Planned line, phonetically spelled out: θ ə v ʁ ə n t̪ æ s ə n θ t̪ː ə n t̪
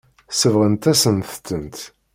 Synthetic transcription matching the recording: s ə v ʁ ə n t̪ æ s ə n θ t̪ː ə n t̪

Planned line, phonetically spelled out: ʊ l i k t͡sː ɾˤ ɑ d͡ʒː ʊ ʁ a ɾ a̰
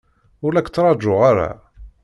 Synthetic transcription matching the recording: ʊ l æ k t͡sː ɾˤ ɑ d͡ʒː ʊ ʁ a ɾ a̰

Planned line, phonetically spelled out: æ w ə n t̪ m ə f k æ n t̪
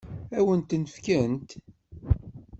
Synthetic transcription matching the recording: æ w ə n t̪ n ə f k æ n t̪

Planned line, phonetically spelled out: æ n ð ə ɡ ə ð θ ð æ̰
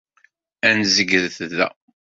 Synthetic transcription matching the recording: æ n z ə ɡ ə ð θ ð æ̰

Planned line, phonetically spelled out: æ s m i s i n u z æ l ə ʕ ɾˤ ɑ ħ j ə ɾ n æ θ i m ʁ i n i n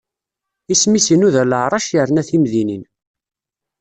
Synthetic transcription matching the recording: i s m i s i n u ð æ l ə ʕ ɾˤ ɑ ʃ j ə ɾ n æ θ i m ð i n i n

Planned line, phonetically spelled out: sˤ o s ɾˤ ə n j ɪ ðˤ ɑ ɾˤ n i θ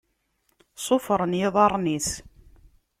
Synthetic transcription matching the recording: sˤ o f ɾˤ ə n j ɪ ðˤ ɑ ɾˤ n i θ

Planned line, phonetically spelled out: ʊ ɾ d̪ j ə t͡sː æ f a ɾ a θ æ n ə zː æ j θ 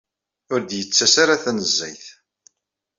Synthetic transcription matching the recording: ʊ ɾ d̪ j ə t͡sː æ s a ɾ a θ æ n ə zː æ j θ

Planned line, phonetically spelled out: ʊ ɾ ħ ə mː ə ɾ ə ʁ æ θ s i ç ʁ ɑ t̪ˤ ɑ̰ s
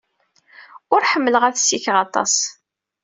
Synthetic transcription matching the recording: ʊ ɾ ħ ə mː ə l ə ʁ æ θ s i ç ʁ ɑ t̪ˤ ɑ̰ s

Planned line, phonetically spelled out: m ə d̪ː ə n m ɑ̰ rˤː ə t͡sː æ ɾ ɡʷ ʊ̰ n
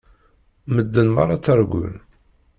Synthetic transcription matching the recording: m ə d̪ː ə n m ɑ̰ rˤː ɑ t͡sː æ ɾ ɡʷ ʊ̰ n

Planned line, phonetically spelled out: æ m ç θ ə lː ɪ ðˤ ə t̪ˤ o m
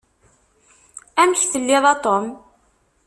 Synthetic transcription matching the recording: æ m ç θ ə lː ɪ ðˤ ɑ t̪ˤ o m

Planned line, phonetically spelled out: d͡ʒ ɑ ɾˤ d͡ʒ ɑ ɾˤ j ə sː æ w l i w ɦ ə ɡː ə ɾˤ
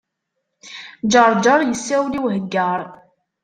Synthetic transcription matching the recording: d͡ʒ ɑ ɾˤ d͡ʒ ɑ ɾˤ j ə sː æ w l i w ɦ ə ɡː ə ɾˤ

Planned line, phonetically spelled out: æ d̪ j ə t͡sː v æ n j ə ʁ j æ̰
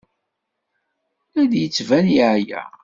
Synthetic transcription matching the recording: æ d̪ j ə t͡sː v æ n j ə ʕ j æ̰

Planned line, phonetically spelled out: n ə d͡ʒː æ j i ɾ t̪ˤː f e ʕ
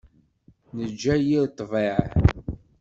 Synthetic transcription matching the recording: n ə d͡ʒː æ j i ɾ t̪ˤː v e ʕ

